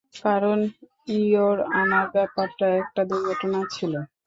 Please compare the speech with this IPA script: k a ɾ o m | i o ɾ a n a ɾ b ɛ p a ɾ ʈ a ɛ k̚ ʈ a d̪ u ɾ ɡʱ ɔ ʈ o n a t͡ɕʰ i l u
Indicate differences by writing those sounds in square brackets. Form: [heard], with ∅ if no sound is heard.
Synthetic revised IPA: k a ɾ o [n] | i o ɾ a n a ɾ b ɛ p a ɾ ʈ a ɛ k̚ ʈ a d̪ u ɾ ɡʱ ɔ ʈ o n a t͡ɕʰ i l [o]